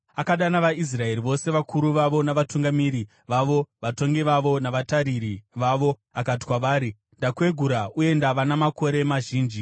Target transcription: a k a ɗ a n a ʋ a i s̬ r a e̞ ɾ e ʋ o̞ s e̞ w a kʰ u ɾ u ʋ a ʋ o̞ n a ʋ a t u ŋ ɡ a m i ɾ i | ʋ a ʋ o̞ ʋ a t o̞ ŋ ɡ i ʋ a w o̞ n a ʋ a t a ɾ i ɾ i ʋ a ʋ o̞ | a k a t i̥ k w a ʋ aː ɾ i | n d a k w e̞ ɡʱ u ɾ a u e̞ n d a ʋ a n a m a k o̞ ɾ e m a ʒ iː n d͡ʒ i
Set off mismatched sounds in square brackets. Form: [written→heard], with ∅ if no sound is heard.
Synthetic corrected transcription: a k a ɗ a n a ʋ a i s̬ r a e̞ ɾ [e→i] ʋ o̞ s e̞ [w→ʋ] a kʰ u ɾ u ʋ a ʋ o̞ n a ʋ a t u ŋ ɡ a m i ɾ i | ʋ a ʋ o̞ ʋ a t o̞ ŋ ɡ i ʋ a [w→ʋ] o̞ n a ʋ a t a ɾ i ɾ i ʋ a ʋ o̞ | a k a t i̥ k w a ʋ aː ɾ i | n d a k w e̞ ɡʱ u ɾ a u e̞ n d a ʋ a n a m a k o̞ ɾ e m a ʒ iː n d͡ʒ i